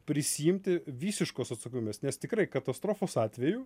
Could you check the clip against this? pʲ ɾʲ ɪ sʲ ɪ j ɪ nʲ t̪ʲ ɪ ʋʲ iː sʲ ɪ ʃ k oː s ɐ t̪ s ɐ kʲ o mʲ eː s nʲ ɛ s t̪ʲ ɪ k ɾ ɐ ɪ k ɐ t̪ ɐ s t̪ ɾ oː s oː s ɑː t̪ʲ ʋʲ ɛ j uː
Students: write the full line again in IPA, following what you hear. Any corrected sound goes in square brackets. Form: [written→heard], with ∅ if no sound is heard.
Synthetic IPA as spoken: pʲ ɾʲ ɪ sʲ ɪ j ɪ [nʲ→mʲ] t̪ʲ ɪ ʋʲ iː sʲ ɪ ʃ k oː s ɐ t̪ s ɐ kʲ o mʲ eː s nʲ ɛ s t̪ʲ ɪ k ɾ ɐ ɪ k ɐ t̪ ɐ s t̪ ɾ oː [s→f] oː s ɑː t̪ʲ ʋʲ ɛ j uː